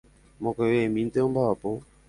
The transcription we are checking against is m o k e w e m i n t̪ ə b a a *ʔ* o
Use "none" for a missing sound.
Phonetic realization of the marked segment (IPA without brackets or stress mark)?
p